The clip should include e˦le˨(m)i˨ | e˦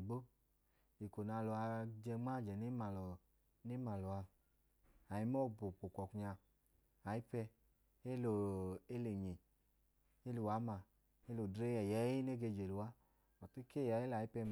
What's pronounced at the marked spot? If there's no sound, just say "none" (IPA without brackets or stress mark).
ɲ